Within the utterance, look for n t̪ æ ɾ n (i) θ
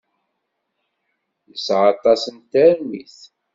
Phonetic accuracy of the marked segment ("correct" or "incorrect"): correct